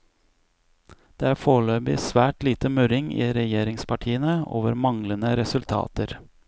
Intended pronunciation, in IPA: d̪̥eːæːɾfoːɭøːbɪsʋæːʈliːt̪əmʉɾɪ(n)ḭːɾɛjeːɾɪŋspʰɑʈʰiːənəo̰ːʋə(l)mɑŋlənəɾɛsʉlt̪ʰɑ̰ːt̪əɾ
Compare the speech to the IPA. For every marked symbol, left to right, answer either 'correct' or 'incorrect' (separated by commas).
incorrect, incorrect